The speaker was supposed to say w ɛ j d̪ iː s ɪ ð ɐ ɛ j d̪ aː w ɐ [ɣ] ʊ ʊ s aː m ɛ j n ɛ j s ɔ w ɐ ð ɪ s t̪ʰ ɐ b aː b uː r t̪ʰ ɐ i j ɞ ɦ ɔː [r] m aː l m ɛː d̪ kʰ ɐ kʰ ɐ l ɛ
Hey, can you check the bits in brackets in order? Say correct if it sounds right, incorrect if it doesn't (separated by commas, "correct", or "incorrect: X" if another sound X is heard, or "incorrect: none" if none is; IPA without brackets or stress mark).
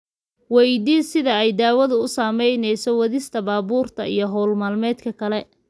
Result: incorrect: ð, incorrect: l